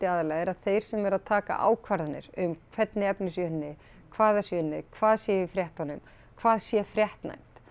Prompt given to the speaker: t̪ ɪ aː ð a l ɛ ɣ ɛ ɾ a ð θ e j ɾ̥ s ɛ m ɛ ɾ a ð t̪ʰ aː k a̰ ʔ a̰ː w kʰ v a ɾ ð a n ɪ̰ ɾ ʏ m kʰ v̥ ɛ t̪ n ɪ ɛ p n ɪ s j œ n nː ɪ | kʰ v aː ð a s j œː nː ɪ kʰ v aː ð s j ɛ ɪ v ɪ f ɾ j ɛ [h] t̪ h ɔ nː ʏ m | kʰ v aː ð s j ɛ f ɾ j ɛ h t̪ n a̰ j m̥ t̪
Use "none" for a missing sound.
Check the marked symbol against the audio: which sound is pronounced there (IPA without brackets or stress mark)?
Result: h